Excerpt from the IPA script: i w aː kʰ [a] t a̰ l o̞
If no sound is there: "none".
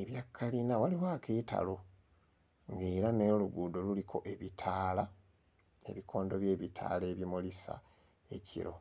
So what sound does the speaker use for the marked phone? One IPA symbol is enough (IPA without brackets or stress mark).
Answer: e